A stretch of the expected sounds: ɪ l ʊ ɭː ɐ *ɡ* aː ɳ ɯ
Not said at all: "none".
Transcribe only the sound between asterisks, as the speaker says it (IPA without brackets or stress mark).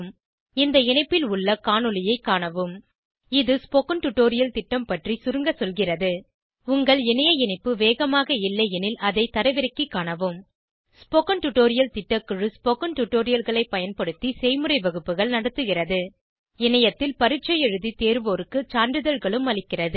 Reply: k